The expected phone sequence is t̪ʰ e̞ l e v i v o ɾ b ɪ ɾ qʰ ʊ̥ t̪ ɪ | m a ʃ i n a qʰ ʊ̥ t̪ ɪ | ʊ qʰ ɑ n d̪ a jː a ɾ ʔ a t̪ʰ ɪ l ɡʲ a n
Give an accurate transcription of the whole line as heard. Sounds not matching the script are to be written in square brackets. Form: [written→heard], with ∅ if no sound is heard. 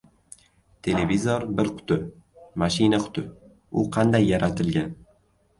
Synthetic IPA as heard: t̪ʰ e̞ l e v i [v→z] o ɾ b ɪ ɾ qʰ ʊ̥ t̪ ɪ | m a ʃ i n a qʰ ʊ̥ t̪ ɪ | ʊ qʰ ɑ n d̪ a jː a ɾ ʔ a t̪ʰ ɪ l ɡʲ a n